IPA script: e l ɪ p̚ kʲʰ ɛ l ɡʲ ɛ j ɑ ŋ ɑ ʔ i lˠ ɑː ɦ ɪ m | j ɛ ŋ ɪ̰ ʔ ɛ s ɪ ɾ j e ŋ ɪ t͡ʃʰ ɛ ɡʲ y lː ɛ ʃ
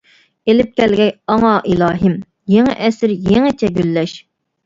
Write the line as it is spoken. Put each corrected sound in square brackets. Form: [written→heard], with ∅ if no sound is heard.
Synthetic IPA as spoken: e l ɪ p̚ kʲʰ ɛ l ɡʲ ɛ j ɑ ŋ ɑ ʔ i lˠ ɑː ɦ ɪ m | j [ɛ→e] ŋ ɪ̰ ʔ ɛ s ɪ ɾ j e ŋ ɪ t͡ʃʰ ɛ ɡʲ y lː ɛ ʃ